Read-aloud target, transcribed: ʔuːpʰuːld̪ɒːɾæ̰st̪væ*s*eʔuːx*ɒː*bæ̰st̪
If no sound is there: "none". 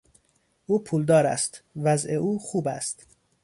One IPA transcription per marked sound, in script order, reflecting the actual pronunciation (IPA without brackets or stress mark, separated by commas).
z, uː